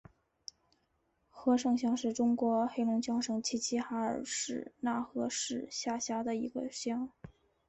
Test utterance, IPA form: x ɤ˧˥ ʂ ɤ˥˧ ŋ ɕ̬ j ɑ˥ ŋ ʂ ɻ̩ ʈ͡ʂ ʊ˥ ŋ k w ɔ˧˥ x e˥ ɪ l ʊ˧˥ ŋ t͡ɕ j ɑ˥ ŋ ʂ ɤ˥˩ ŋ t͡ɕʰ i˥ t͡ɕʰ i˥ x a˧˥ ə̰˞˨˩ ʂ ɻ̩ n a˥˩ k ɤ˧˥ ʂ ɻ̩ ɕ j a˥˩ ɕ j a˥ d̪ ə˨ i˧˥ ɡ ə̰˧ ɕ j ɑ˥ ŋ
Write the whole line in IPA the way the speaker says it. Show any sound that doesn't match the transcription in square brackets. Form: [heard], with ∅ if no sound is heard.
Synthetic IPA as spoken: x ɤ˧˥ ʂ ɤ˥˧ ŋ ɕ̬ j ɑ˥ ŋ ʂ ɻ̩ ʈ͡ʂ ʊ˥ ŋ k w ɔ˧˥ x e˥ ɪ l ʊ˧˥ ŋ t͡ɕ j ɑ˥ ŋ ʂ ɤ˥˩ ŋ t͡ɕʰ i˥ t͡ɕʰ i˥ x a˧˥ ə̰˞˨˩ ʂ ɻ̩ n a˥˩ [x] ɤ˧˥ ʂ ɻ̩ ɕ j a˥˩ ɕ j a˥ d̪ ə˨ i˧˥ ɡ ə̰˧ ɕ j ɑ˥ ŋ